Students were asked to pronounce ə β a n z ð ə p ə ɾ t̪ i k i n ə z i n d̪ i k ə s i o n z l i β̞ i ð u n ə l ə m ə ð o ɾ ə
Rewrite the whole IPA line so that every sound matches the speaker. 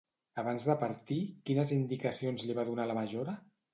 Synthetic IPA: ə β a n z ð ə p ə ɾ t̪ i k i n ə z i n d̪ i k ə s i o n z l i β̞ a ð u n a l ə m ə ʒ o ɾ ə